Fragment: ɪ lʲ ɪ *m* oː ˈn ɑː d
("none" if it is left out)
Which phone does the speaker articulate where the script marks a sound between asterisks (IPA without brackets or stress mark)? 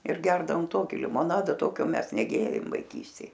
m